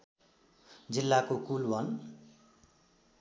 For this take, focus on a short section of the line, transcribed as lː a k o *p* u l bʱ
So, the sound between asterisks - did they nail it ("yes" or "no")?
no